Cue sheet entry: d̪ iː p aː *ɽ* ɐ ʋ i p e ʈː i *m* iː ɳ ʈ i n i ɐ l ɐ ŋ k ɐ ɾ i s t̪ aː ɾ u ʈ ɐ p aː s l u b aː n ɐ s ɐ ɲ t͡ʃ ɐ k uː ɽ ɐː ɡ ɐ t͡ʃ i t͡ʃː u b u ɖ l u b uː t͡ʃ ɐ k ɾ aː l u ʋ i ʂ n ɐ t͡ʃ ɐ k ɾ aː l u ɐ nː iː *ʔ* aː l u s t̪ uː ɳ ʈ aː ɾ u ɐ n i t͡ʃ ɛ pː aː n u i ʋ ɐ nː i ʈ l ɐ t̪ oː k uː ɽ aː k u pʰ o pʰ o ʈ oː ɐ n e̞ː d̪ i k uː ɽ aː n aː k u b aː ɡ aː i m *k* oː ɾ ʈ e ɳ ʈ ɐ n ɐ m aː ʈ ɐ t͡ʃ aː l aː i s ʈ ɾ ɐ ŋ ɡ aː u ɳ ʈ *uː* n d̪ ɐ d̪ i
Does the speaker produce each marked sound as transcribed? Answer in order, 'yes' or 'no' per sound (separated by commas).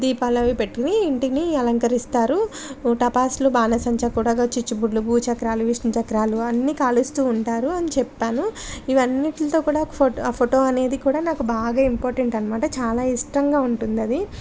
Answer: no, no, no, no, no